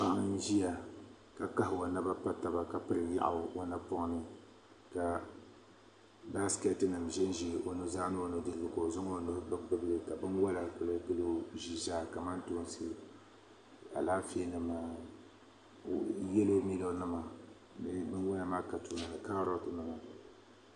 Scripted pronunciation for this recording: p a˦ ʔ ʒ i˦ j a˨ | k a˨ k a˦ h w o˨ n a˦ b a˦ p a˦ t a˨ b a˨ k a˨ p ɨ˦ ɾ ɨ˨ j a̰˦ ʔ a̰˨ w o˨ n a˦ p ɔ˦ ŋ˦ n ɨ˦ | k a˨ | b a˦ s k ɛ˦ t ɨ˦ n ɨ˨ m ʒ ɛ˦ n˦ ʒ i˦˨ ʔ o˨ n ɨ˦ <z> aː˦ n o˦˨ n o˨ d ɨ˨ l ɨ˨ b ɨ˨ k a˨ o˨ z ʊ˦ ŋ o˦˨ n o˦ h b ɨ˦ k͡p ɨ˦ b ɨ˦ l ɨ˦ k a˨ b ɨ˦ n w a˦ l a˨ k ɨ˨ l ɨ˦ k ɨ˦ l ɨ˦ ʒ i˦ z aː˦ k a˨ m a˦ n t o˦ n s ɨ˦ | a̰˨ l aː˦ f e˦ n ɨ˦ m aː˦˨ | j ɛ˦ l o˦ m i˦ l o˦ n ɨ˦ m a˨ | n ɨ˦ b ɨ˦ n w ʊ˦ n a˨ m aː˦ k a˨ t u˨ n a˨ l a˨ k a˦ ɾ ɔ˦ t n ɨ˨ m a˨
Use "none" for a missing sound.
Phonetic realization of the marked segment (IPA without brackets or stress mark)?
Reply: z